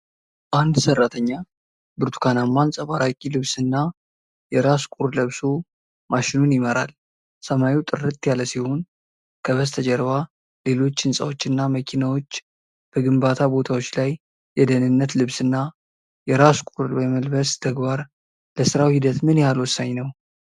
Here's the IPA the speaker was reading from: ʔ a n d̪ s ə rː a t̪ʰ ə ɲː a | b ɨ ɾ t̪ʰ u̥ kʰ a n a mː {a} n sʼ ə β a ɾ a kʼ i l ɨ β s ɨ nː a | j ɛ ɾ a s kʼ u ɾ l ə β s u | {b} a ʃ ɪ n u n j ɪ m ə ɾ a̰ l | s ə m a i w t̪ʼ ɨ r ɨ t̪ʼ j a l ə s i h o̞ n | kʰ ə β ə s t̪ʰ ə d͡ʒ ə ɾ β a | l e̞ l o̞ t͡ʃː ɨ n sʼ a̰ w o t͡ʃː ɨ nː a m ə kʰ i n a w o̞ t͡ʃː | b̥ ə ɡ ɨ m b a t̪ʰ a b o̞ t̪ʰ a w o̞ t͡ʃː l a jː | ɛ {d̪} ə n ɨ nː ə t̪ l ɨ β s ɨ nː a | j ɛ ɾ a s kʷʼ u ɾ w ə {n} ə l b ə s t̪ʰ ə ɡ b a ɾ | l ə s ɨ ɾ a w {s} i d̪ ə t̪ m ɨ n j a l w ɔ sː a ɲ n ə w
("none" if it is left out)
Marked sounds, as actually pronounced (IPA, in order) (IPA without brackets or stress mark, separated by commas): a, m, d̪, m, h